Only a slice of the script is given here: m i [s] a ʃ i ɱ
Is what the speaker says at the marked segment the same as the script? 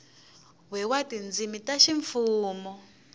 no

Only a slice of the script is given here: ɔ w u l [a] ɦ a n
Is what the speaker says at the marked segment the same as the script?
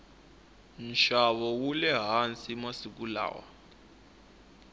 no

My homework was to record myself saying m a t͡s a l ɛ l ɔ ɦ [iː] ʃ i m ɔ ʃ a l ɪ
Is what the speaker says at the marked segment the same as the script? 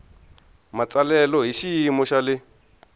no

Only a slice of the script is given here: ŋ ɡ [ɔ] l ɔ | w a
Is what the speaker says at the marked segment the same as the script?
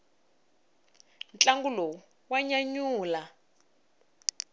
no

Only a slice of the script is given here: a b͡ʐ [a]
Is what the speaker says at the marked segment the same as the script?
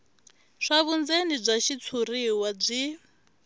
no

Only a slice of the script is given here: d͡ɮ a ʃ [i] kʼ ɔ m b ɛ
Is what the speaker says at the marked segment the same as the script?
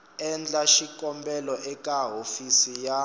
yes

